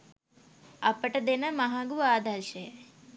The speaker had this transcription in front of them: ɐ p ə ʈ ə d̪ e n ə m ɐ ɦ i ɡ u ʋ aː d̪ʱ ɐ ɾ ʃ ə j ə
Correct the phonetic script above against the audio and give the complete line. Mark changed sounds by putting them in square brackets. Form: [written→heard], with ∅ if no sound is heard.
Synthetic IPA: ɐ p ə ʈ ə d̪ e n ə m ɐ ɦ [i→a] ɡ u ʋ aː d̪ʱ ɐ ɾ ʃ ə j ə